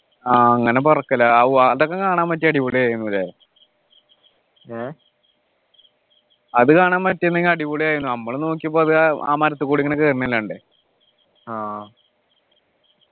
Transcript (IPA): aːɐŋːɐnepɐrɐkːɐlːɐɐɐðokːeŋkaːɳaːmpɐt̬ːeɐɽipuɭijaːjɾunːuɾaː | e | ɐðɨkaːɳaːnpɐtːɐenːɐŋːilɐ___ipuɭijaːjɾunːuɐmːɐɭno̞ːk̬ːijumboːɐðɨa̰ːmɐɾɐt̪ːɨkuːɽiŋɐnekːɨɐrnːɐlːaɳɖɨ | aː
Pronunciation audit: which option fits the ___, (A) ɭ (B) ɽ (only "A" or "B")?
B